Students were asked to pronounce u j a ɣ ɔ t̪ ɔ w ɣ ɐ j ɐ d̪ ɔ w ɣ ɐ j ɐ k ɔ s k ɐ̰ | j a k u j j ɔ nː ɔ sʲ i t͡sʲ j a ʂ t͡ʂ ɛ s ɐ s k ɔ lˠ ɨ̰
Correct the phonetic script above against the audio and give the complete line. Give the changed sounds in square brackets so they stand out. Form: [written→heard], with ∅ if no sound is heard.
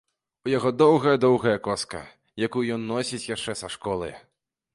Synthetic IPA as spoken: u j a ɣ ɔ [t̪→d̪] ɔ w ɣ ɐ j ɐ d̪ ɔ w ɣ ɐ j ɐ k ɔ s k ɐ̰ | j a k u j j ɔ nː ɔ sʲ i t͡sʲ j a ʂ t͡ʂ ɛ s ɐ [s→ʂ] k ɔ lˠ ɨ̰